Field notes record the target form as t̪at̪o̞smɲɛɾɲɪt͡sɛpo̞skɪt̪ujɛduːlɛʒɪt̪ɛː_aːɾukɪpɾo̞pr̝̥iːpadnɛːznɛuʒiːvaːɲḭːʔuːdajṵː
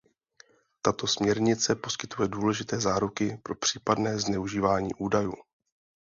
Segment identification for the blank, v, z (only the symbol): z